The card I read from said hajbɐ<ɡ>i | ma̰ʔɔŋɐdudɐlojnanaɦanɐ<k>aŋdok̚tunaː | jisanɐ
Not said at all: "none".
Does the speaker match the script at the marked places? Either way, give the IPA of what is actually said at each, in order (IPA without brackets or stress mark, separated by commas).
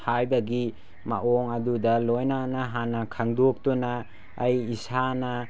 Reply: ɡ, kʰ